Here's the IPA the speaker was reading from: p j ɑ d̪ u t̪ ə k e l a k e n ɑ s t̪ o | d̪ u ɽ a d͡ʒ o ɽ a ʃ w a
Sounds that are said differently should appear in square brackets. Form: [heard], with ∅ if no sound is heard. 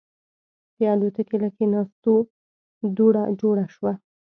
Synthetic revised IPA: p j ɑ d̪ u t̪ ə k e l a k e n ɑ s t̪ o | d̪ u ɽ a d͡ʒ o ɽ a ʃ w a